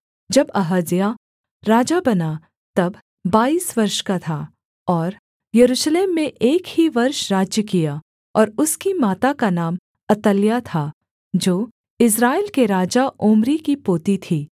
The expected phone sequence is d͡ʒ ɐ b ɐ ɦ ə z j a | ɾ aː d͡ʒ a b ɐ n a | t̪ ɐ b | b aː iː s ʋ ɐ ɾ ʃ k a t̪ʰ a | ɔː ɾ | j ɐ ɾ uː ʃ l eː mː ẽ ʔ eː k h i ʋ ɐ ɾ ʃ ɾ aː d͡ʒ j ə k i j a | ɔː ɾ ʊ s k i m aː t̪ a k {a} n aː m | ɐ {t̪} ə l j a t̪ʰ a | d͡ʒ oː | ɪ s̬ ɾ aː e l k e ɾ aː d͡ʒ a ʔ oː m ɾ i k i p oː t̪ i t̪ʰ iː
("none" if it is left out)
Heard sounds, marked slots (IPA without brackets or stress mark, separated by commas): a, t̪